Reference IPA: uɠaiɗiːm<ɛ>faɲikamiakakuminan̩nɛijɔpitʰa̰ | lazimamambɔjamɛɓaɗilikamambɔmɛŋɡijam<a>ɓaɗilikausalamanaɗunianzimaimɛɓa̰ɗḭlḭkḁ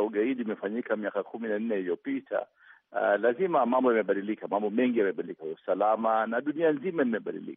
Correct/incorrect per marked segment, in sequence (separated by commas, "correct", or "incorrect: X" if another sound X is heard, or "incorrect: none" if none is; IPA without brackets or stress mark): correct, incorrect: ɛ